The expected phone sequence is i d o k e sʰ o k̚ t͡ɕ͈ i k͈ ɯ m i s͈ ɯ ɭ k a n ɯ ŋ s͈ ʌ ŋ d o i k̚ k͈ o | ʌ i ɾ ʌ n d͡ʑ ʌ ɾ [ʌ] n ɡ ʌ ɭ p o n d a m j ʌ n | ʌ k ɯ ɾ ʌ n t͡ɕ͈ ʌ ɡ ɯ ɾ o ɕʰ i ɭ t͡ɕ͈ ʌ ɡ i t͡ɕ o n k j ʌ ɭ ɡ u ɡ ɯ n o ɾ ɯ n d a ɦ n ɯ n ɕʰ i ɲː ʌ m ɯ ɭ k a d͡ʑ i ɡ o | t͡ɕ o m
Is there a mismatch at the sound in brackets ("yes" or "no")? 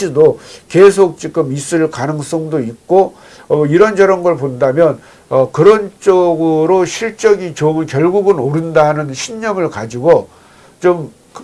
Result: no